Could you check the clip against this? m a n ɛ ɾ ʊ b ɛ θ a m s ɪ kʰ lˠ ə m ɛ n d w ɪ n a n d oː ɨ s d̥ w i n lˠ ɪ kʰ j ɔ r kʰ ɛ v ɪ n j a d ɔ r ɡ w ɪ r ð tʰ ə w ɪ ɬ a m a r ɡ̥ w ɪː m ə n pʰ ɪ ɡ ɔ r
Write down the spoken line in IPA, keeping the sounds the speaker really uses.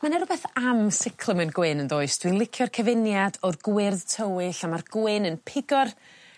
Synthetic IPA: m a n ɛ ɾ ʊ b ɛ θ a m s ɪ kʰ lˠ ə m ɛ n ɡ w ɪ n ə n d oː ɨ s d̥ w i n lˠ ɪ kʰ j ɔ r kʰ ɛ v ɪ n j a d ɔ r ɡ w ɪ r ð tʰ ə w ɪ ɬ a m a r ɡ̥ w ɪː n ə n pʰ ɪ ɡ ɔ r